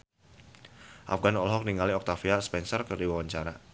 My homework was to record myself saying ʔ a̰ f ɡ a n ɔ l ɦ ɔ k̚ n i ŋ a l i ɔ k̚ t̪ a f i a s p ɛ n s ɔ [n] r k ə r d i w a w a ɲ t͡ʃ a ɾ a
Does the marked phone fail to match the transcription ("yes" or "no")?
yes